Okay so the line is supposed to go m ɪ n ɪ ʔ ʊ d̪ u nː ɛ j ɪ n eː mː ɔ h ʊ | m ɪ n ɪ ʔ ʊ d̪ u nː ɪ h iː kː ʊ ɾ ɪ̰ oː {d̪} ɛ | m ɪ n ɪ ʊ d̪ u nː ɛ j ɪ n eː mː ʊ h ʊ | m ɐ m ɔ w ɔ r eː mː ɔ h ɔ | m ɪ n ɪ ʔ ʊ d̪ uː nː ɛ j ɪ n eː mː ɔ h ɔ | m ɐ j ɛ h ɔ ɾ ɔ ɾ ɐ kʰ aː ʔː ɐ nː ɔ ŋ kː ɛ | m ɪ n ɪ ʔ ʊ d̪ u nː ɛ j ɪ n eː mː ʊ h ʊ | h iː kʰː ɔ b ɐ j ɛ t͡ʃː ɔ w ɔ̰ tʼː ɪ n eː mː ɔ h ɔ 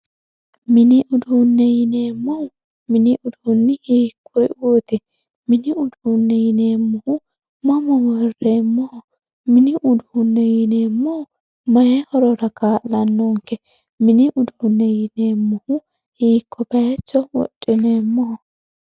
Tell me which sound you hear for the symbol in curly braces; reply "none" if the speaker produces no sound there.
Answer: t̪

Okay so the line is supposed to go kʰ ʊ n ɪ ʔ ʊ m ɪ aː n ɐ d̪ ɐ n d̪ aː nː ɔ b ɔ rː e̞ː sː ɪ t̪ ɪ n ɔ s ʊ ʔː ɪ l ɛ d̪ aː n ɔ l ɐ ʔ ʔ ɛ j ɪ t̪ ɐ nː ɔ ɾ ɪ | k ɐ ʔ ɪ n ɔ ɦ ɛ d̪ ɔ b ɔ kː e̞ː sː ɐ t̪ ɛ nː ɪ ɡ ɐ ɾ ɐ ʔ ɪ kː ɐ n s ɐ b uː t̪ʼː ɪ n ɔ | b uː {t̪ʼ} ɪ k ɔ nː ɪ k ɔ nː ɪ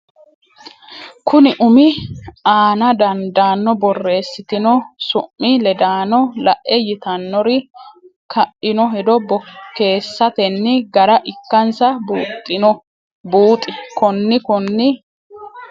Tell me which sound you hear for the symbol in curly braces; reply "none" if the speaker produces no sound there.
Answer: t̪ʼ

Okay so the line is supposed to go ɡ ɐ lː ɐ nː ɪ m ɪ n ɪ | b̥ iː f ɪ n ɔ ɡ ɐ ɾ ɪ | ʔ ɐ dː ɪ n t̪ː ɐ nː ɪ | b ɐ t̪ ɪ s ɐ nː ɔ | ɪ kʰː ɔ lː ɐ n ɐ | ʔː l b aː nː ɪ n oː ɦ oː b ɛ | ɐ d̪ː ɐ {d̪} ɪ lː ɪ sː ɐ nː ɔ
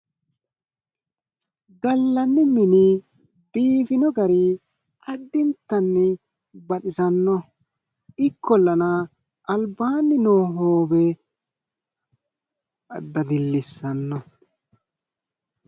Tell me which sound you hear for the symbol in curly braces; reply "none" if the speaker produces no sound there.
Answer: d̪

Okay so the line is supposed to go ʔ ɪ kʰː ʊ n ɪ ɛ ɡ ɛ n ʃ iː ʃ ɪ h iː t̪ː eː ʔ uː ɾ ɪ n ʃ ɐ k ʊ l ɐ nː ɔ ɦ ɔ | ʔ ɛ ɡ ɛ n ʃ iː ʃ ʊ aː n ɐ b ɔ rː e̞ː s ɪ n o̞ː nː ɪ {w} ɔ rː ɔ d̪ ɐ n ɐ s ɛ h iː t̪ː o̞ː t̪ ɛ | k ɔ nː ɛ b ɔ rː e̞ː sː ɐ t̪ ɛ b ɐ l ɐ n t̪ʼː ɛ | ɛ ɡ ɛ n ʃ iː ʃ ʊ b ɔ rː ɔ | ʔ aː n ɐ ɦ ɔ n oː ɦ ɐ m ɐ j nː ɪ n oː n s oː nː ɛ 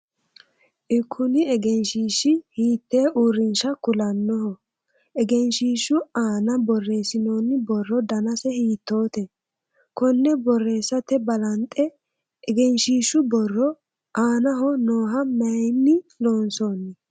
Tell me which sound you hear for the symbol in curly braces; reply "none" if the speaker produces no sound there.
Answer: b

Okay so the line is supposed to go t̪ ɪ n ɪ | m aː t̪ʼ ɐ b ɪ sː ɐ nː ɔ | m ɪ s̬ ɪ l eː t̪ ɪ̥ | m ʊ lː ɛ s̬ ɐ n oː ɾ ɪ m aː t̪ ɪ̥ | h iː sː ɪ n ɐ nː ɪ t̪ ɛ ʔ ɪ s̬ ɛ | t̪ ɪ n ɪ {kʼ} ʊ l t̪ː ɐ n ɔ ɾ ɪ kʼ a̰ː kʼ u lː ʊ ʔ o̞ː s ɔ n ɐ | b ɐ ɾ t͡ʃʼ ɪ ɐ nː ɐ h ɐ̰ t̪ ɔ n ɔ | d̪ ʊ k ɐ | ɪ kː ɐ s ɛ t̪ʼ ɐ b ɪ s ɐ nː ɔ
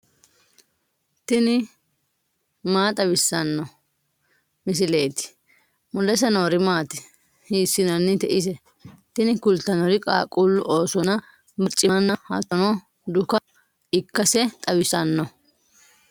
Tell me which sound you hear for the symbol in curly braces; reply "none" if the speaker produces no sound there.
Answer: k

